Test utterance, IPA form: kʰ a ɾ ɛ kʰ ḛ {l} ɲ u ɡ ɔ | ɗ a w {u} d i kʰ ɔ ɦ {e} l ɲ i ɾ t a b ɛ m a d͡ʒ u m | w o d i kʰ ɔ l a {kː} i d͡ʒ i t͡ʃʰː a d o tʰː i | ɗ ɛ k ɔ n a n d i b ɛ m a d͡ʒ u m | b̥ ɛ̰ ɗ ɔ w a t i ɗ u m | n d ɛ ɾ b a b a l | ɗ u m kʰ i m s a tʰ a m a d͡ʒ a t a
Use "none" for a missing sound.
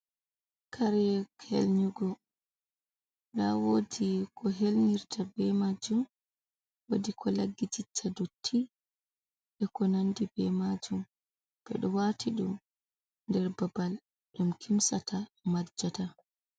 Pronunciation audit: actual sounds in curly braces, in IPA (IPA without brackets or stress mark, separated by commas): l, o, e, ɡː